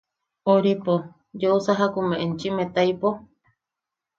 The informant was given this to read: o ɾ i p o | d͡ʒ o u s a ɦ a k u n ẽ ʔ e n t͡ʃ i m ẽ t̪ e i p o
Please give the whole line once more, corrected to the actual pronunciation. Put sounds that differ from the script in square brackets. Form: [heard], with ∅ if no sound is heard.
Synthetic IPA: o ɾ i p o | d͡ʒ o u s a ɦ a k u [m] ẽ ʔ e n t͡ʃ i m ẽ t̪ [a] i p o